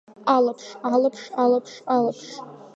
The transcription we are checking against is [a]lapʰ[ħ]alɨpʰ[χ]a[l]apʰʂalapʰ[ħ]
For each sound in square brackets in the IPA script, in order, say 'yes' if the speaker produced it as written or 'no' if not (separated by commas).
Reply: yes, no, no, yes, no